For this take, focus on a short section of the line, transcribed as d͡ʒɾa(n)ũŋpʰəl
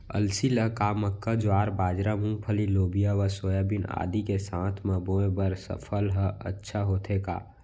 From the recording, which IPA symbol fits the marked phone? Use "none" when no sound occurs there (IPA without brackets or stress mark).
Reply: m